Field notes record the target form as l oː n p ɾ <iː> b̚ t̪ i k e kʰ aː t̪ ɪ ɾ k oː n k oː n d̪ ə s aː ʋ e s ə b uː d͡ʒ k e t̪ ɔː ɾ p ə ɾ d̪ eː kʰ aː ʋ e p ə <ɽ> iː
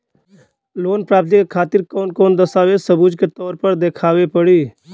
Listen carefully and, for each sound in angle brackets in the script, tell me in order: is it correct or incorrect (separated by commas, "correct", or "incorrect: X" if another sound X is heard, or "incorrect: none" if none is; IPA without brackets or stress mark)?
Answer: incorrect: aː, correct